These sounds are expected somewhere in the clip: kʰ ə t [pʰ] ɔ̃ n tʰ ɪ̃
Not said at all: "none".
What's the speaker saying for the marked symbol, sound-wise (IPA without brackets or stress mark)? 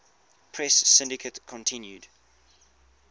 kʰ